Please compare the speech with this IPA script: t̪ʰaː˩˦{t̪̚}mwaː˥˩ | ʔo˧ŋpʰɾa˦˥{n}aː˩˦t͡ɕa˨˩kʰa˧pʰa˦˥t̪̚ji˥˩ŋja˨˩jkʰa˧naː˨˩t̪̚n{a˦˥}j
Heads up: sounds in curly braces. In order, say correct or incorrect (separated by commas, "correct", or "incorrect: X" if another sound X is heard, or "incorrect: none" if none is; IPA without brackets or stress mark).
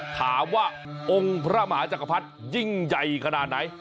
incorrect: none, incorrect: m, correct